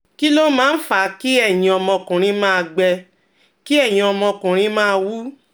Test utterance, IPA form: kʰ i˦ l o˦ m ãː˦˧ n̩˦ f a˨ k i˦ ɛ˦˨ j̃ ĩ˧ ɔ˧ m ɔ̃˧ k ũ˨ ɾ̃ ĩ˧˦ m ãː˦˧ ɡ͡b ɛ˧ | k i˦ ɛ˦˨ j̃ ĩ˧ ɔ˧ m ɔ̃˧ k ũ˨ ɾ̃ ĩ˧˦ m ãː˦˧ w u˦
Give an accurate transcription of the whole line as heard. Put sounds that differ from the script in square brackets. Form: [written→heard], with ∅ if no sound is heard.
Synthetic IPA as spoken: [kʰ→k] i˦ l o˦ m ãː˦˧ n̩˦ f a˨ k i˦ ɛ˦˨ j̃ ĩ˧ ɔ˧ m ɔ̃˧ k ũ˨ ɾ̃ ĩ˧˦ m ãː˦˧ ɡ͡b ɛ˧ | k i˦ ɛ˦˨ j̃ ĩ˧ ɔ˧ m ɔ̃˧ k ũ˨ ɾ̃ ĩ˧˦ m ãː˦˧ w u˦

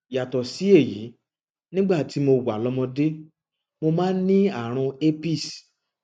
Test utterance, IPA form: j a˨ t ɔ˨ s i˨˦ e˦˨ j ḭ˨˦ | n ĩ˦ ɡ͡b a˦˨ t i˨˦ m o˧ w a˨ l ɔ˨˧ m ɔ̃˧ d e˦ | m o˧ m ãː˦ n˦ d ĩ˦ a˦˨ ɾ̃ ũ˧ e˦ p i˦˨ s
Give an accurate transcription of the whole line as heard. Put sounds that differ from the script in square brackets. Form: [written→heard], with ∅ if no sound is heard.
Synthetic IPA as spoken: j a˨ t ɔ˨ s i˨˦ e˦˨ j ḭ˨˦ | n ĩ˦ ɡ͡b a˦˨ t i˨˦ m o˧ w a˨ l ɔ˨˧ m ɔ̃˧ d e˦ | m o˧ m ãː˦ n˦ [d→n] ĩ˦ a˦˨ ɾ̃ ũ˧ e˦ p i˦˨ s

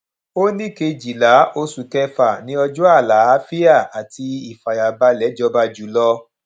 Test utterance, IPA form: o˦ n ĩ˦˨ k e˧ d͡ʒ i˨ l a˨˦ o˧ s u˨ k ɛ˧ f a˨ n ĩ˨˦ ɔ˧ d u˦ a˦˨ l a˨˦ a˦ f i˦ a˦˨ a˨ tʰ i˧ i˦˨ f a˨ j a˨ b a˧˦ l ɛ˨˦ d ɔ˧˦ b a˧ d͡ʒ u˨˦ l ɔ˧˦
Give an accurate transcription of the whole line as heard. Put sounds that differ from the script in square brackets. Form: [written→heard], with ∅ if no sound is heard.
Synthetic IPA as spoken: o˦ n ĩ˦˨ k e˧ d͡ʒ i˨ l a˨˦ o˧ s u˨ k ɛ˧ f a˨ n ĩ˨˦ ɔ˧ [d→d͡ʒ] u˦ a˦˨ l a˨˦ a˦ f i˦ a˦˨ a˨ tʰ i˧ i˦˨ f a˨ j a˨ b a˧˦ l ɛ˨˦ [d→d͡ʒ] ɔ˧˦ b a˧ d͡ʒ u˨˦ l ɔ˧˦

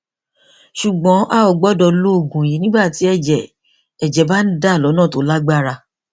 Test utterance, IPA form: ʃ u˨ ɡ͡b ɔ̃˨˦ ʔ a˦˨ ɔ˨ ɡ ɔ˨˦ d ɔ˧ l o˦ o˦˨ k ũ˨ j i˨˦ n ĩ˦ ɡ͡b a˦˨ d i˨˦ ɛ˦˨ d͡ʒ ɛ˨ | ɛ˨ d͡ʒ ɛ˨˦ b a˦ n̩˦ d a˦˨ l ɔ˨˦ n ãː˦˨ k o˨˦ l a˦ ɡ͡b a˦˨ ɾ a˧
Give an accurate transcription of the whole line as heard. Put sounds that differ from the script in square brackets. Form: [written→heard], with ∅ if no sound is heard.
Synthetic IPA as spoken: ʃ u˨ ɡ͡b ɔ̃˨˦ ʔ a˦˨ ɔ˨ [ɡ→ɡ͡b] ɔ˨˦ d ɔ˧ l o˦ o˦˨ [k→ɡ] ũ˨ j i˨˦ n ĩ˦ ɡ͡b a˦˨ [d→t] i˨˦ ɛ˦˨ d͡ʒ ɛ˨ | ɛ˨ d͡ʒ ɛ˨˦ b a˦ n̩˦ d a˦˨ l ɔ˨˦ n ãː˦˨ [k→t] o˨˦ l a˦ ɡ͡b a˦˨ ɾ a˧

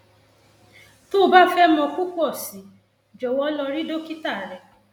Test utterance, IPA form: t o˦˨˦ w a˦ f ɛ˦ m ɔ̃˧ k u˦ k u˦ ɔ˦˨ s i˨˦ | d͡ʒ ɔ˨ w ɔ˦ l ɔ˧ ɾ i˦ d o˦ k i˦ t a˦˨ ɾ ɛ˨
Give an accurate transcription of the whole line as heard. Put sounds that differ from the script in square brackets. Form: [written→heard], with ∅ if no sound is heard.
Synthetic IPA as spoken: t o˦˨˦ [w→b] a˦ f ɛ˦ m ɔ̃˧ k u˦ k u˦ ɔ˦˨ s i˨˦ | d͡ʒ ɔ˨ w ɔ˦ l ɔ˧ ɾ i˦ d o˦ k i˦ t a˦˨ ɾ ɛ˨

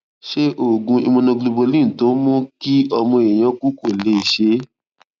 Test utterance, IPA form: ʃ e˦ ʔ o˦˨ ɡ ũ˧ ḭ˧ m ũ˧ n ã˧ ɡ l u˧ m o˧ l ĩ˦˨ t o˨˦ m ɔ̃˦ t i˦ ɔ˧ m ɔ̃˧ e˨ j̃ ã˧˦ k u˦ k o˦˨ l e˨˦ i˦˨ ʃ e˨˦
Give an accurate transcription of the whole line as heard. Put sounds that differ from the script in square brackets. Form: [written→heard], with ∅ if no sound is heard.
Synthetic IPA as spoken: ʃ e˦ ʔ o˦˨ ɡ ũ˧ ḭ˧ m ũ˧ n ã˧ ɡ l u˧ [m→b] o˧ l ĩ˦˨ t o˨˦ m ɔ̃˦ [t→k] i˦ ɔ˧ m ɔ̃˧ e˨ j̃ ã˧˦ k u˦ k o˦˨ l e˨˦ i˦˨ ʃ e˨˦

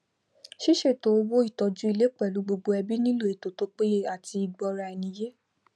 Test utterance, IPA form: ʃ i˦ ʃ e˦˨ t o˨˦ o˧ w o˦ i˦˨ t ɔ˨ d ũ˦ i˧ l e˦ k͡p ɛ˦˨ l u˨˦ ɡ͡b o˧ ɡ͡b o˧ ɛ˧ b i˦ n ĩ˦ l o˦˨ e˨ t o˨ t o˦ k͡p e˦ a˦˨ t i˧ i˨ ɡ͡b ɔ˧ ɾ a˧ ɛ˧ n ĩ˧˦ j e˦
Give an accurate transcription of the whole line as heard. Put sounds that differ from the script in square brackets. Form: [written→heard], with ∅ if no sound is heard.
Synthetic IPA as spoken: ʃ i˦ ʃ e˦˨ t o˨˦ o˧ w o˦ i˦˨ t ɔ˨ [d→d͡ʒ] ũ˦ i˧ l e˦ k͡p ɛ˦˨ l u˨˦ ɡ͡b o˧ ɡ͡b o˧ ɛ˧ b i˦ n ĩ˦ l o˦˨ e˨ t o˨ t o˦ k͡p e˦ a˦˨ t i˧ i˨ ɡ͡b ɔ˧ ɾ a˧ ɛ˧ n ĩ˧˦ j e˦

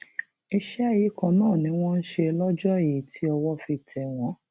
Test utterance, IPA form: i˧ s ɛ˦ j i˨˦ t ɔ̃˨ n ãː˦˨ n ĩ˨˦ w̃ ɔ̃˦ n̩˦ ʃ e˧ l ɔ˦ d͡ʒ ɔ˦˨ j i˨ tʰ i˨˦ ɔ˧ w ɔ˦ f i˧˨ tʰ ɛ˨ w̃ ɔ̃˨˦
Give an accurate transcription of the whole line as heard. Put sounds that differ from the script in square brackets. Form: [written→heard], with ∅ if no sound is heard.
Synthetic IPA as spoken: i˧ [s→ʃ] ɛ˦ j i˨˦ [t→k] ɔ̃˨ n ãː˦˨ n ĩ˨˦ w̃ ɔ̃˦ n̩˦ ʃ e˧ l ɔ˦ d͡ʒ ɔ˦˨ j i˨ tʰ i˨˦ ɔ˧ w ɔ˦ f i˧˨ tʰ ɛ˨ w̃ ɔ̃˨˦

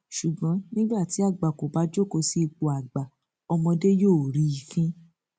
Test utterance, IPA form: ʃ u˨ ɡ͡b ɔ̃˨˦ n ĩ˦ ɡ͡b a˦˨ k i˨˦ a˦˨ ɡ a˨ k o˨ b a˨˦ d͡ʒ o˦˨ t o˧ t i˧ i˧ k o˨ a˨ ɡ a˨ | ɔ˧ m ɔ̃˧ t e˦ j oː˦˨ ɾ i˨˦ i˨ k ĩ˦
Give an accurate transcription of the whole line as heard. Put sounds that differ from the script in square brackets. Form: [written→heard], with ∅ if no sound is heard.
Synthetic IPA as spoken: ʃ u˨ ɡ͡b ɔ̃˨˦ n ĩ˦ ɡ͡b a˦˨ [k→t] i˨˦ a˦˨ [ɡ→ɡ͡b] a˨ k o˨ b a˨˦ d͡ʒ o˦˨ [t→k] o˧ [t→s] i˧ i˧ [k→k͡p] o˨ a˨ [ɡ→ɡ͡b] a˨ | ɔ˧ m ɔ̃˧ [t→d] e˦ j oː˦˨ ɾ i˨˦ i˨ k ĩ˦

